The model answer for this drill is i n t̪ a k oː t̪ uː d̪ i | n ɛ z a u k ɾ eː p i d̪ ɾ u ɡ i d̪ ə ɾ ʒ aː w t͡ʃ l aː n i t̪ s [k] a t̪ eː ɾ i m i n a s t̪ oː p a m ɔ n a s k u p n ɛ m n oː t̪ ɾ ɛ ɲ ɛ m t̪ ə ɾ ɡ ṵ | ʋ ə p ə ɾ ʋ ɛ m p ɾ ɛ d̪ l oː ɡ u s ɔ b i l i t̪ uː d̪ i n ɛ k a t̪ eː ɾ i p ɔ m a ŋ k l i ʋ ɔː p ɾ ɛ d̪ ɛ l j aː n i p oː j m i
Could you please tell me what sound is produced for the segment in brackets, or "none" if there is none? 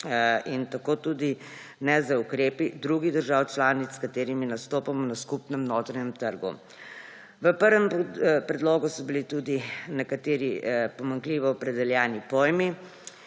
k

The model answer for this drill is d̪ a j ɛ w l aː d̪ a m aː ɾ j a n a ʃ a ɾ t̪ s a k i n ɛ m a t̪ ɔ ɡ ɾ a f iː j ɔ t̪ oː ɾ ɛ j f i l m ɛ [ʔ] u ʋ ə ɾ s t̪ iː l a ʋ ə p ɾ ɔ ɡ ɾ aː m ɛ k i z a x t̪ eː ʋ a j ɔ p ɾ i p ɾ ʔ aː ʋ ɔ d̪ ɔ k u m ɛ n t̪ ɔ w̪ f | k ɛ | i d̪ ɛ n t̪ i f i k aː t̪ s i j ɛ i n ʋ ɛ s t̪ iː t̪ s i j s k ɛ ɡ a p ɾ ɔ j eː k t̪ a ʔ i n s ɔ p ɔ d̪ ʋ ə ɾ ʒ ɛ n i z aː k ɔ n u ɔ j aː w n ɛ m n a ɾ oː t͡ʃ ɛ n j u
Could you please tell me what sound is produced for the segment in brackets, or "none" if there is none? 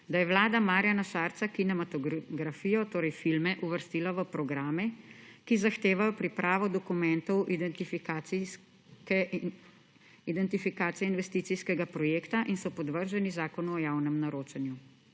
ʔ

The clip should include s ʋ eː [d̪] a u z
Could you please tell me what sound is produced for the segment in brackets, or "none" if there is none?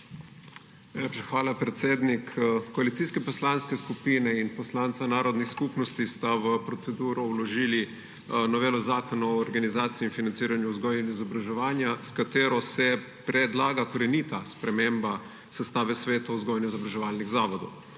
t̪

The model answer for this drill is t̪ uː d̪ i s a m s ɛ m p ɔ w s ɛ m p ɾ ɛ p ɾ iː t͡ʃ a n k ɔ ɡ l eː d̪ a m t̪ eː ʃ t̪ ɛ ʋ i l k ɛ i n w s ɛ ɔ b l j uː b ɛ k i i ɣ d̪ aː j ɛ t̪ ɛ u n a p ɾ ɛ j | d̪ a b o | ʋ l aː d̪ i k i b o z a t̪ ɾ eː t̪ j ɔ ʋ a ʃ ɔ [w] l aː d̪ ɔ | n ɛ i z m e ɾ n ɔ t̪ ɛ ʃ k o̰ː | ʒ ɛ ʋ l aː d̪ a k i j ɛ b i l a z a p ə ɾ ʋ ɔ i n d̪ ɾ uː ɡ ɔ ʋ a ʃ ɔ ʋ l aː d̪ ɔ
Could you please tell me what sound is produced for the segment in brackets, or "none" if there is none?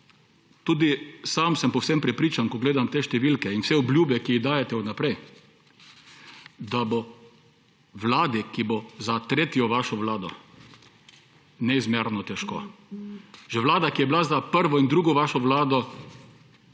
ʋ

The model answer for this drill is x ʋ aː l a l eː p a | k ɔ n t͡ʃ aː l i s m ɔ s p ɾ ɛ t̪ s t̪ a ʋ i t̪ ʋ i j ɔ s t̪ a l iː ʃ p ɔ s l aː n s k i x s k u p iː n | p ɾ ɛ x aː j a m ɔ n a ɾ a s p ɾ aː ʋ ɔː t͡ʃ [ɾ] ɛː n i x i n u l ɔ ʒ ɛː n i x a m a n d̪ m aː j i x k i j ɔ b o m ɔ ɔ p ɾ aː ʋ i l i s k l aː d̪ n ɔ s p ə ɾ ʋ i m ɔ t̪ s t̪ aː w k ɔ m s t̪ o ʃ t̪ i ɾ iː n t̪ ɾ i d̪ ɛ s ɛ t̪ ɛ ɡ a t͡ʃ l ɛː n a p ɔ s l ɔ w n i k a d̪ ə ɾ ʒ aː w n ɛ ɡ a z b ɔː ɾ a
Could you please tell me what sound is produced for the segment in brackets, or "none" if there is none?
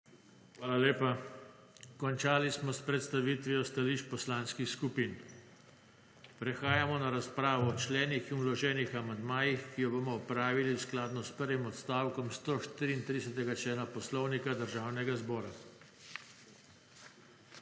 l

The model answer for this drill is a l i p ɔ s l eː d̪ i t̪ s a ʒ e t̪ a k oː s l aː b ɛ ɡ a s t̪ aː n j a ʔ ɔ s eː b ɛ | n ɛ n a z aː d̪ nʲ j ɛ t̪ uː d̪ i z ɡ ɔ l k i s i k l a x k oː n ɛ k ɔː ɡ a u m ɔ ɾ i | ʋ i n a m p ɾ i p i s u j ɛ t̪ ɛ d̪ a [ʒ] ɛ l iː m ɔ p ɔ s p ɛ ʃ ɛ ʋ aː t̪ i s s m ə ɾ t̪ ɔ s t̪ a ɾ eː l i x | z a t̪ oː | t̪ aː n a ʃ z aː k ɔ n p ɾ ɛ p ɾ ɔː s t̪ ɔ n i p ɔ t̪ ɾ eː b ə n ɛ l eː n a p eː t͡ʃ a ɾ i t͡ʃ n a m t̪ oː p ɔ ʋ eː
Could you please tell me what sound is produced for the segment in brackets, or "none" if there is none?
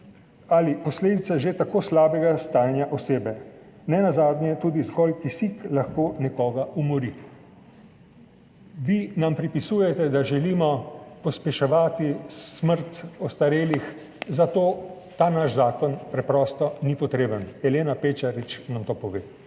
ʒ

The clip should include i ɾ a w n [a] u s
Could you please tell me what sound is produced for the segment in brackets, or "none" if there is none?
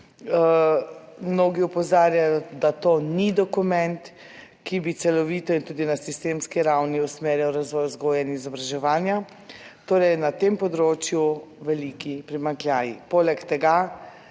i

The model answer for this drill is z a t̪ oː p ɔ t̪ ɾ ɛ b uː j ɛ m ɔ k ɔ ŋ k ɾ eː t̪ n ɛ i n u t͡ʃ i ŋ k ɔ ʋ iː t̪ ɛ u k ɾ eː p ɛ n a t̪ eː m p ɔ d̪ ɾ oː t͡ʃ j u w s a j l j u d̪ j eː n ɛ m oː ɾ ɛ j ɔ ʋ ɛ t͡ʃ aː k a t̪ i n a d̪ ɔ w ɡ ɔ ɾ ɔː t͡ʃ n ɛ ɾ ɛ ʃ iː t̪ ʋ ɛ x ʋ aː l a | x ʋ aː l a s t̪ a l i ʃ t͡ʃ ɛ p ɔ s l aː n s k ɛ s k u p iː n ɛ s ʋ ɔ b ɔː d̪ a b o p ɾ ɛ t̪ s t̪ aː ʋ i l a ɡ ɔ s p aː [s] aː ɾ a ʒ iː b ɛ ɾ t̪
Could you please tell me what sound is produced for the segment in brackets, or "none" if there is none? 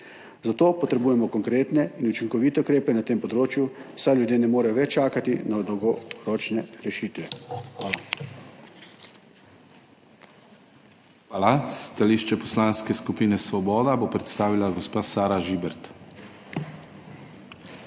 s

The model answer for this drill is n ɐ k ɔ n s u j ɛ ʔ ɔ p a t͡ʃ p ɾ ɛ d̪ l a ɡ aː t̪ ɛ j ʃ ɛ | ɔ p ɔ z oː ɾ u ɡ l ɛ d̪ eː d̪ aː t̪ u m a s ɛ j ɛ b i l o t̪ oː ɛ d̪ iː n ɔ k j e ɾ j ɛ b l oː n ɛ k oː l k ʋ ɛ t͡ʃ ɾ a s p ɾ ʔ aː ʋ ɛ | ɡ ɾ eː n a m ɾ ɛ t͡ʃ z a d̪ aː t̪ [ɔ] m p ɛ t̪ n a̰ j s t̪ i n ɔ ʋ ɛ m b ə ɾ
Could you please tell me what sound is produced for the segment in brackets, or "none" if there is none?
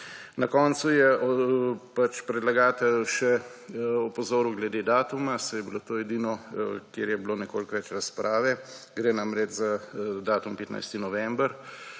u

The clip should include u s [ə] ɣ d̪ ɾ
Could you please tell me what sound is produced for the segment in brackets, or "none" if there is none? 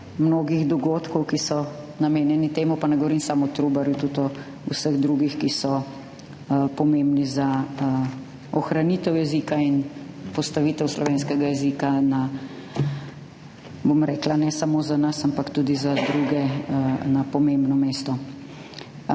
ə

